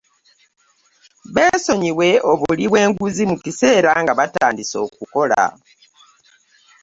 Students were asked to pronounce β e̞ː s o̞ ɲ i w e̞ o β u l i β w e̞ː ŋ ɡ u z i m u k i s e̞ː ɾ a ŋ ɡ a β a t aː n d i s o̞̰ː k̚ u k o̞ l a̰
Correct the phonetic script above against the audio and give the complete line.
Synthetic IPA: β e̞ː s o̞ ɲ i w e̞ o β u l i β w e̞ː ŋ ɡ u z i m u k i s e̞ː ɾ a ŋ ɡ a β a t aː n d i s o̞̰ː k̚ u k o̞ l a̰